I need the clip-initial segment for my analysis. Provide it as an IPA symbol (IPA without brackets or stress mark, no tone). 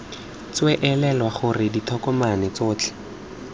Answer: t͡s